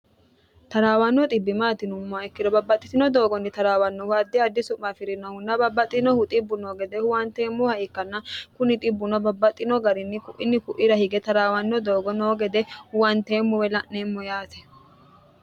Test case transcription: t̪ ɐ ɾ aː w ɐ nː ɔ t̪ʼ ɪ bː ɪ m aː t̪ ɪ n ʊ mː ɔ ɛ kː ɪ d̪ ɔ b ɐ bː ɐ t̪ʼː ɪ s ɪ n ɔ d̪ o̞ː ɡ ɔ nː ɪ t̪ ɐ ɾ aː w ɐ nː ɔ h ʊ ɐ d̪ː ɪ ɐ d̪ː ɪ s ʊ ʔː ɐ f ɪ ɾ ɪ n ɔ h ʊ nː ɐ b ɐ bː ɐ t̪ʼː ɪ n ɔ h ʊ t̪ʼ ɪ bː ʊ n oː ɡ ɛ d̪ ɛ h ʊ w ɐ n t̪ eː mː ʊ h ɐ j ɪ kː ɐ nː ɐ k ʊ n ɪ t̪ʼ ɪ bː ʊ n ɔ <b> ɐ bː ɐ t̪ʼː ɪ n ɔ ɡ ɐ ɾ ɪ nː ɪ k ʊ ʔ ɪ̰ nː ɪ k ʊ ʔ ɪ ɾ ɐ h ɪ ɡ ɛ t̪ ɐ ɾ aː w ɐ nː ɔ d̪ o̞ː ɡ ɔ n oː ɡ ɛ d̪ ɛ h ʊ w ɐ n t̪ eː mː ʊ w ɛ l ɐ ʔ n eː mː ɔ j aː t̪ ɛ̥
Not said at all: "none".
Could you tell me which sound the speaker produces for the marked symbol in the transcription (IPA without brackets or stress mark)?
b